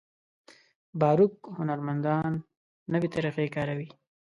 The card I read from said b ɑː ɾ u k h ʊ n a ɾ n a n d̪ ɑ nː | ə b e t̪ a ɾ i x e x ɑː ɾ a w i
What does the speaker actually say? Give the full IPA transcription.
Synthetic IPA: b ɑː ɾ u k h ʊ n a ɾ m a n d̪ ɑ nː | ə w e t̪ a ɾ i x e k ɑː ɾ a w i